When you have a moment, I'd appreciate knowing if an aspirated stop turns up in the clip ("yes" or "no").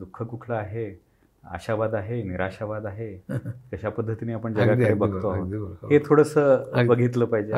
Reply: yes